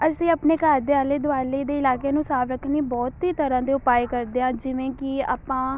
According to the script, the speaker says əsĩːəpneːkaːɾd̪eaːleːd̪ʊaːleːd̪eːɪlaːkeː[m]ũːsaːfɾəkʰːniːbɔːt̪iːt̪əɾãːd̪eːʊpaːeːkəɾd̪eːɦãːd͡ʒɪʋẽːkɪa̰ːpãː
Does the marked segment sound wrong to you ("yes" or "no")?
yes